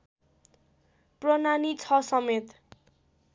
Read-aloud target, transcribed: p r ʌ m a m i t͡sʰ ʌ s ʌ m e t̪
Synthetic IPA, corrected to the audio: p r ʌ n a n i t͡sʰ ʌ s ʌ m e t̪